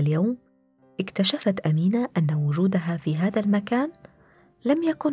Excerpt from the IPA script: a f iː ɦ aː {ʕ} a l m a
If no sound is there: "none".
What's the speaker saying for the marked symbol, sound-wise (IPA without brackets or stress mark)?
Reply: ð